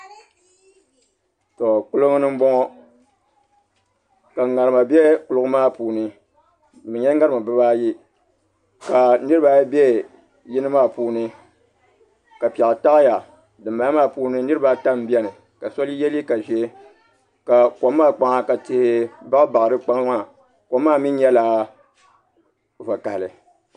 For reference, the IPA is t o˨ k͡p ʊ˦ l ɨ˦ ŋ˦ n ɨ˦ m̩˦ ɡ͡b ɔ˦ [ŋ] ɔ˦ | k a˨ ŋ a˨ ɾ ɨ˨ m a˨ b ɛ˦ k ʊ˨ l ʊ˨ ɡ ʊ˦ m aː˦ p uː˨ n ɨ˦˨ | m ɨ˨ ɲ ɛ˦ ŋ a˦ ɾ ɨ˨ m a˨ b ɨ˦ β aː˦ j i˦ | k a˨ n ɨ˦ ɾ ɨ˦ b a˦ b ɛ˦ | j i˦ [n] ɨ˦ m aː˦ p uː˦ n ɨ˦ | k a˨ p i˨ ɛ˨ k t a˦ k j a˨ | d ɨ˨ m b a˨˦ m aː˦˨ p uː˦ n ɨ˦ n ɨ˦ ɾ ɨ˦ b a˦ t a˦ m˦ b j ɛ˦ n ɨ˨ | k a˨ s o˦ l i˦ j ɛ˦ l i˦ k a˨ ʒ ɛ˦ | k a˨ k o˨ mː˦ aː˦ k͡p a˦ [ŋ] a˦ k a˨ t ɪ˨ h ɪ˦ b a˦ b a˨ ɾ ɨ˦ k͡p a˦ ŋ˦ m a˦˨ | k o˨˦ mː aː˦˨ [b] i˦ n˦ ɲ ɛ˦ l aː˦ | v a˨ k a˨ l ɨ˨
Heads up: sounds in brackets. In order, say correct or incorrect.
correct, correct, correct, incorrect: m

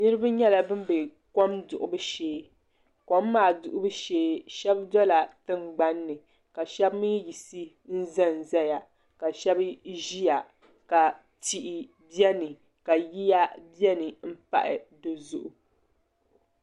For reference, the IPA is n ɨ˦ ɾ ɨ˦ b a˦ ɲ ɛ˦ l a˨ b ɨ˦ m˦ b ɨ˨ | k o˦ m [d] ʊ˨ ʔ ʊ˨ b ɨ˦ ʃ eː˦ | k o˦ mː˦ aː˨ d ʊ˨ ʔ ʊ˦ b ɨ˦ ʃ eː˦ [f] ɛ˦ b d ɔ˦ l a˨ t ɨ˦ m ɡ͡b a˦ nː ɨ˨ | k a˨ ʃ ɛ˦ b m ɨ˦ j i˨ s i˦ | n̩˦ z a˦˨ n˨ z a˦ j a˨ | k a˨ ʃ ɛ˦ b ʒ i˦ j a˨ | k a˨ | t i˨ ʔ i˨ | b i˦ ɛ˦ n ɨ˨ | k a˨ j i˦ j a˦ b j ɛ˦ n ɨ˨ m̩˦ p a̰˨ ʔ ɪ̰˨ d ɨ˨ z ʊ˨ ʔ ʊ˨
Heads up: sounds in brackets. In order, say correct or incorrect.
correct, incorrect: ʃ

